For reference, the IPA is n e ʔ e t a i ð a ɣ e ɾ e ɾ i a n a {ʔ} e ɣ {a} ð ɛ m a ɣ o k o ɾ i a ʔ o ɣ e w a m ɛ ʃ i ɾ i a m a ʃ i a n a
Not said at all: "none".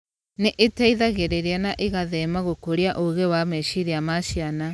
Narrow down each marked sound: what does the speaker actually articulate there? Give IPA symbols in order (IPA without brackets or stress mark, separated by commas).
ʔ, a